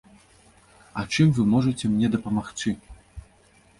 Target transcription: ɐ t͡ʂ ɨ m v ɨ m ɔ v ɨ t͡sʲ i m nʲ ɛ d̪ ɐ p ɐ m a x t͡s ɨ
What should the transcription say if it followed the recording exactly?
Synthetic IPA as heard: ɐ t͡ʂ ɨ m v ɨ m ɔ ʐ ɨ t͡sʲ ɛ m nʲ ɛ d̪ ɐ p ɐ m a x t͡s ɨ